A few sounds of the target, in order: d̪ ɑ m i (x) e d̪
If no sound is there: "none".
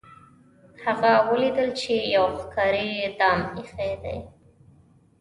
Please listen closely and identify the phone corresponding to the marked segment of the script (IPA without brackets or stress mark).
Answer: x